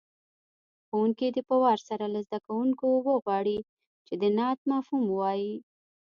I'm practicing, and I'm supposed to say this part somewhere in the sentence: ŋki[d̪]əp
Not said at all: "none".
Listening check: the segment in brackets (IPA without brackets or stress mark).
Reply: d̪